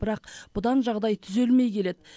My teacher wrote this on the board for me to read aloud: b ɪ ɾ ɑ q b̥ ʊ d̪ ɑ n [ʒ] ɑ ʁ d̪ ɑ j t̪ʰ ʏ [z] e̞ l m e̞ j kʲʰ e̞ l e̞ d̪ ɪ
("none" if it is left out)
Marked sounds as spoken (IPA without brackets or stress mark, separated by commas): ʒ, z